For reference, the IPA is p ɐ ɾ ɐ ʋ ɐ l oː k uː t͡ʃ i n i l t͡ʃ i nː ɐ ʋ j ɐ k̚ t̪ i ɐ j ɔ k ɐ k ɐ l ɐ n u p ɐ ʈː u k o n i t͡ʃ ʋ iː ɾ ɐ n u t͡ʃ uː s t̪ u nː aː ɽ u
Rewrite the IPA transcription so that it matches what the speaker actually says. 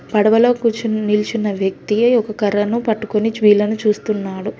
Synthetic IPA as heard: p ɐ ɽ ɐ ʋ ɐ l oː k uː t͡ʃ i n i l t͡ʃ i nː ɐ ʋ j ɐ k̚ t̪ i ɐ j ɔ k ɐ k ɐ ɾ ɐ n u p ɐ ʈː u k o n i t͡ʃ ʋ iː l ɐ n u t͡ʃ uː s t̪ u nː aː ɽ u